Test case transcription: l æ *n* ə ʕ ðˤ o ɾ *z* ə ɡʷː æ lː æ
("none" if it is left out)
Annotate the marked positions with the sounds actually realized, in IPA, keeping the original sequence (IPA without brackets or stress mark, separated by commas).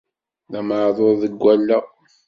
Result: m, ð